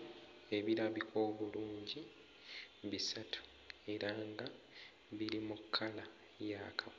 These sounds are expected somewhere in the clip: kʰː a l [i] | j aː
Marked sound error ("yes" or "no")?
yes